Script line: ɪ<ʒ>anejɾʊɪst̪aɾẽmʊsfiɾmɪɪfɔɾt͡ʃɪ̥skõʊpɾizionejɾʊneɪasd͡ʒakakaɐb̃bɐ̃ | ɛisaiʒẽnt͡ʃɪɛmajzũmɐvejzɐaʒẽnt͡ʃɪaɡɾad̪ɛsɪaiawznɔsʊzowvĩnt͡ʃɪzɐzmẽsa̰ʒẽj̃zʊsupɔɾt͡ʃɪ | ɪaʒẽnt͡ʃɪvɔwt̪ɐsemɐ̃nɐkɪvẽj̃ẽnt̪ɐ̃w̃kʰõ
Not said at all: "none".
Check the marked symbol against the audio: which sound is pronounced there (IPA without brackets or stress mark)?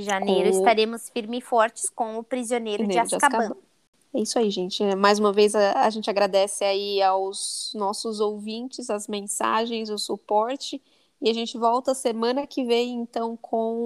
ʒ